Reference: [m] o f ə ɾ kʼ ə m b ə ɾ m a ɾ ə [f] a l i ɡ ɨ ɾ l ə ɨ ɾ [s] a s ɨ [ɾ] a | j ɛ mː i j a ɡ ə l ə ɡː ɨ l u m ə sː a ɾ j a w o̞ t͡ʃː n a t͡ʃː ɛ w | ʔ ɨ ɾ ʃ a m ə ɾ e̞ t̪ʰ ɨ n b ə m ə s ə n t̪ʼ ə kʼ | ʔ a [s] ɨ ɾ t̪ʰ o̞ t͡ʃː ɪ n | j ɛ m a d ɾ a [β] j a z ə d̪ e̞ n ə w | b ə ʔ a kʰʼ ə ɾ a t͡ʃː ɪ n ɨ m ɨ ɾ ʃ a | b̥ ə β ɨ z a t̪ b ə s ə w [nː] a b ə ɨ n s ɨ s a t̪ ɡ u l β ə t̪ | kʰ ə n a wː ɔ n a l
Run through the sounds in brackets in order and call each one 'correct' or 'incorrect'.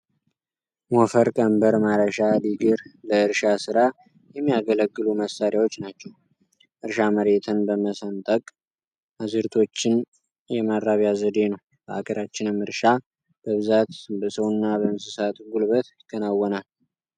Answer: correct, incorrect: ʃ, incorrect: ʃ, correct, incorrect: z, correct, correct

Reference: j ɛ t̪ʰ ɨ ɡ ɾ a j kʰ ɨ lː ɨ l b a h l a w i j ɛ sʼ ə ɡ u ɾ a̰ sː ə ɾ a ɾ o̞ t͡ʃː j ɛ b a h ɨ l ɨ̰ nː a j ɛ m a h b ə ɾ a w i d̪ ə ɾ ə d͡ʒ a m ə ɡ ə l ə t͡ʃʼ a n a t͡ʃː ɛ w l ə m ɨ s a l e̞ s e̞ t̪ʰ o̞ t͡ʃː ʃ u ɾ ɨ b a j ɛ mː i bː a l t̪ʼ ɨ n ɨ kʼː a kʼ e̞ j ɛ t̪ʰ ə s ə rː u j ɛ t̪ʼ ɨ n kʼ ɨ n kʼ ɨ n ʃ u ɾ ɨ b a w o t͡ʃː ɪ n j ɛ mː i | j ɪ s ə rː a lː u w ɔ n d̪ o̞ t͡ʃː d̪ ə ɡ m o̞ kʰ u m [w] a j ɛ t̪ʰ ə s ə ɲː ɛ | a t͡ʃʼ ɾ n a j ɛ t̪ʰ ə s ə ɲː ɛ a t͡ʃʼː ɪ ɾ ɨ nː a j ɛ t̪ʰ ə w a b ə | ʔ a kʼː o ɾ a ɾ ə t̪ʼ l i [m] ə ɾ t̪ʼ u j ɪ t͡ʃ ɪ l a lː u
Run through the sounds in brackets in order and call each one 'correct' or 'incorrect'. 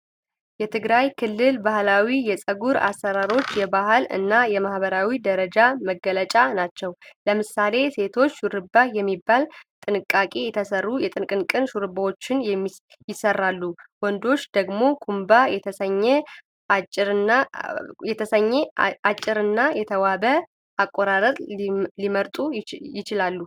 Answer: incorrect: b, correct

